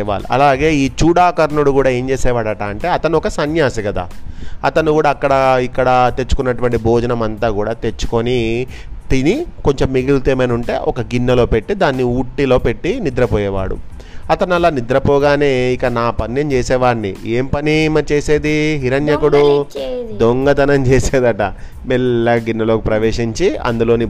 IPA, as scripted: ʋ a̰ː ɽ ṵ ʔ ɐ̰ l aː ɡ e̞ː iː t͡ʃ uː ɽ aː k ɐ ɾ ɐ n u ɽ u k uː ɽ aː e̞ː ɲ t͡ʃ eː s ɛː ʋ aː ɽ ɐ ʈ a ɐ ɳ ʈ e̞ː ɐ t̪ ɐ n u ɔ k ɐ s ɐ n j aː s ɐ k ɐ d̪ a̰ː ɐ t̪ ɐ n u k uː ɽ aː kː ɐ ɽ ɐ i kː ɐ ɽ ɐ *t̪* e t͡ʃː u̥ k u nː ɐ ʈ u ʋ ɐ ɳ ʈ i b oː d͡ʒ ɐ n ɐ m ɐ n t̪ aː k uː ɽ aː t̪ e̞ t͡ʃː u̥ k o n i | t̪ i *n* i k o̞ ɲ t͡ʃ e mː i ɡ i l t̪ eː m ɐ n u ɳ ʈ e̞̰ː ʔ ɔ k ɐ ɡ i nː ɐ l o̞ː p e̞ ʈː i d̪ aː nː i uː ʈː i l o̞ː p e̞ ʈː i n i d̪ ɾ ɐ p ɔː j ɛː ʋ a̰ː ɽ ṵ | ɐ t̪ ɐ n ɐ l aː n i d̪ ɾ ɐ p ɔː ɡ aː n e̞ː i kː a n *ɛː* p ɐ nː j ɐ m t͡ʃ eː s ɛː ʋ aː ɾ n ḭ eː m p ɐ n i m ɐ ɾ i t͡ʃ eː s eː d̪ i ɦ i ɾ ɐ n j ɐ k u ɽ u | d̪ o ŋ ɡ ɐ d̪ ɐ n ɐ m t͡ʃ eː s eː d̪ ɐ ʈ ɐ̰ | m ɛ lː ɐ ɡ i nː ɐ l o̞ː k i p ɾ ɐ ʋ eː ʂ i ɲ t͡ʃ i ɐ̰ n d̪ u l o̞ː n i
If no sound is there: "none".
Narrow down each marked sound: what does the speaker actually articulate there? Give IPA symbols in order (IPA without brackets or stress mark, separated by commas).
t̪, n, aː